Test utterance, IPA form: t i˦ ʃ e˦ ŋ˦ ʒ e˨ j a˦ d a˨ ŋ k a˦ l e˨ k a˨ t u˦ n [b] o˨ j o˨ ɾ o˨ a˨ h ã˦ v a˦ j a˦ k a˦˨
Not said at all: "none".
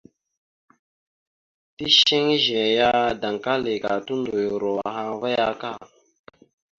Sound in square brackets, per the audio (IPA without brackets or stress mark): d